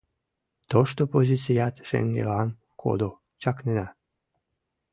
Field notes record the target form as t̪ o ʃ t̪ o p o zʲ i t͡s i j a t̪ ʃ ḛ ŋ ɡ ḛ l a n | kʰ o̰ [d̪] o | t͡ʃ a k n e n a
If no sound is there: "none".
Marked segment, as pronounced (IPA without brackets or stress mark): d̪